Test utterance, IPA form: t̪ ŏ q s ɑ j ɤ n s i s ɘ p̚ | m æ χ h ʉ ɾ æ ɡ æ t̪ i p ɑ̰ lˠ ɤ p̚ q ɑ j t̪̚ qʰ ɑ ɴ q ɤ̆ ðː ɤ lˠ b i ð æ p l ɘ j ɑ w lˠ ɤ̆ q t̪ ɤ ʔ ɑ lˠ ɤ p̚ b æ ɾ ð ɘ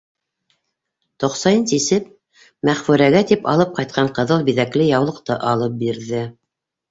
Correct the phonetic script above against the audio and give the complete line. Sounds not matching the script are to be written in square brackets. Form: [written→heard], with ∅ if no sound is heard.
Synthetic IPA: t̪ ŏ q s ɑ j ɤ n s i s ɘ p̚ | m æ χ [h→f] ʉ ɾ æ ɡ æ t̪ i p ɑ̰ lˠ ɤ p̚ q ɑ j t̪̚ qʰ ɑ ɴ q ɤ̆ [ðː→ð] ɤ lˠ b i ð æ [p→k] l ɘ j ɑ w lˠ ɤ̆ q t̪ ɤ ʔ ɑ lˠ ɤ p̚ b [æ→i] ɾ ð ɘ